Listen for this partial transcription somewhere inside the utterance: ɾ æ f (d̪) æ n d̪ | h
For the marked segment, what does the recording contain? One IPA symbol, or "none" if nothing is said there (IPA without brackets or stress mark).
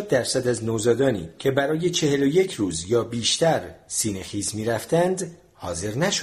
t̪